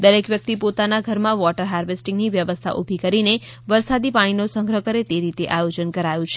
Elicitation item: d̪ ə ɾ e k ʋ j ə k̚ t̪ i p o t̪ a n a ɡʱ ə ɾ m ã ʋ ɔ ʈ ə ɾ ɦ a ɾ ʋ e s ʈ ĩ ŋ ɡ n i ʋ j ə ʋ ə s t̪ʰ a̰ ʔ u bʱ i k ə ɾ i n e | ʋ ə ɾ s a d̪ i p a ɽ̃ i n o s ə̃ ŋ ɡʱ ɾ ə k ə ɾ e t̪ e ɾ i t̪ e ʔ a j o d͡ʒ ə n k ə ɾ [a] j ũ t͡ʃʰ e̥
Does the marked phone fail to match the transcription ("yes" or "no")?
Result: no